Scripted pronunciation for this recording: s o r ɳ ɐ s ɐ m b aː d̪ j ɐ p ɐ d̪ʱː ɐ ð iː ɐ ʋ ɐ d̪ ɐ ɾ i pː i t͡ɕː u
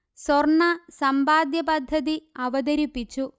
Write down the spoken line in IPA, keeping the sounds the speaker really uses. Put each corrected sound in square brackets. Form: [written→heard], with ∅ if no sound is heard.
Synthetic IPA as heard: s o r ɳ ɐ s ɐ m b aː d̪ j ɐ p ɐ d̪ʱː ɐ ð [iː→i] ɐ ʋ ɐ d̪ ɐ ɾ i pː i t͡ɕː u